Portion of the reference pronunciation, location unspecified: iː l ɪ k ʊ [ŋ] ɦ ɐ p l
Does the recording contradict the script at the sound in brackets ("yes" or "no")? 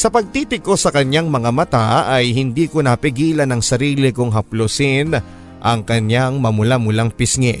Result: no